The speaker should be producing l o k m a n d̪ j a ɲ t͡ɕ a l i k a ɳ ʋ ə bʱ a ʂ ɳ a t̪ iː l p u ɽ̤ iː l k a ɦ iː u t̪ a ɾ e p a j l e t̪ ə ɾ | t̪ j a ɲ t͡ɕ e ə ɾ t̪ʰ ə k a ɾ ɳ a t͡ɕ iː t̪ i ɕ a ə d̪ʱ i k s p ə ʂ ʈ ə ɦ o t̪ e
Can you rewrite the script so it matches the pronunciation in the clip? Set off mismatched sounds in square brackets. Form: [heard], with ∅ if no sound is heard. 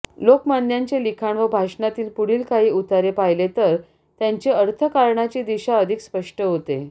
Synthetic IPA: l o k m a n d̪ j a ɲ t͡ɕ [e] l i [kʰ] a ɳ ʋ ə bʱ a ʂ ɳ a t̪ iː l p u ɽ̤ iː l k a ɦ iː u t̪ a ɾ e p a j l e t̪ ə ɾ | t̪ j a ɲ t͡ɕ e ə ɾ t̪ʰ ə k a ɾ ɳ a t͡ɕ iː [d̪] i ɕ a ə d̪ʱ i k s p ə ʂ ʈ ə ɦ o t̪ e